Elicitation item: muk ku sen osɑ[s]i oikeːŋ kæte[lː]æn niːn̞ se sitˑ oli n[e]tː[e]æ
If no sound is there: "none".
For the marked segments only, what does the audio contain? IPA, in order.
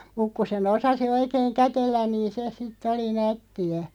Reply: s, lː, æ, i

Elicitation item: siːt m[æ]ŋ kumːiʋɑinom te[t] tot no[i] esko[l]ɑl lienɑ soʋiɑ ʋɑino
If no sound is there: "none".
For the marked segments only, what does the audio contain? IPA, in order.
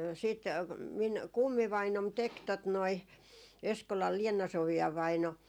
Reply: i, k, i, l

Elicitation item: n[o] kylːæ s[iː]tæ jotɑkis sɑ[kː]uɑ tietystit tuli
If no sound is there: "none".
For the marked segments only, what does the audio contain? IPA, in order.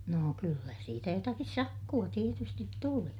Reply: oː, iː, kː

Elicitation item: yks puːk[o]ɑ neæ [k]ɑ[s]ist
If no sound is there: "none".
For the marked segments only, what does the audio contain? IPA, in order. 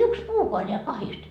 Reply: o, k, h

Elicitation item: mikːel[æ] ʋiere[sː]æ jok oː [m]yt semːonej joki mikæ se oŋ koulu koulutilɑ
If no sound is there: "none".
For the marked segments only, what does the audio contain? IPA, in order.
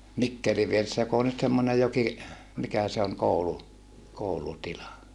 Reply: i, sː, n

